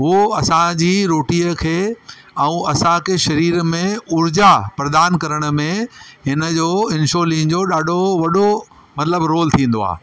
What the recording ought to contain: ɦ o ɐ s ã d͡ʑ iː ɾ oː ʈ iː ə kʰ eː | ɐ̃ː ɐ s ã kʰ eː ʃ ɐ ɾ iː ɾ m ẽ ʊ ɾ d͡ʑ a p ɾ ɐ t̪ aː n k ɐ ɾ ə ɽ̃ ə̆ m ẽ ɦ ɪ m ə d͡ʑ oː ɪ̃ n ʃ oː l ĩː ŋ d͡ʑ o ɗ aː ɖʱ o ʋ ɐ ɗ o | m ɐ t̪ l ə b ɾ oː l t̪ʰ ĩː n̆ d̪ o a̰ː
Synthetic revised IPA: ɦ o ɐ s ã d͡ʑ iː ɾ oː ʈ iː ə kʰ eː | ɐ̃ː ɐ s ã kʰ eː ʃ ɐ ɾ iː ɾ m ẽ ʊ ɾ d͡ʑ a p ɾ ɐ d̪ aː n k ɐ ɾ ə ɽ̃ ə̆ m ẽ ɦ ɪ n ə d͡ʑ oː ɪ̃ n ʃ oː l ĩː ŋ d͡ʑ o ɗ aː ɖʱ o ʋ ɐ ɗ o | m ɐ t̪ l ə b ɾ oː l t̪ʰ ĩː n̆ d̪ o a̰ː